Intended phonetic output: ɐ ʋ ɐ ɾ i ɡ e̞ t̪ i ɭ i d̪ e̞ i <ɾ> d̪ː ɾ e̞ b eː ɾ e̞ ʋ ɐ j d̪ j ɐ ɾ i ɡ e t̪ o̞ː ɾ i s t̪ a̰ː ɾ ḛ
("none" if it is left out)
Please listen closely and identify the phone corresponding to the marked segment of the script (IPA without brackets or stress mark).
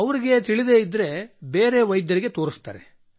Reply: none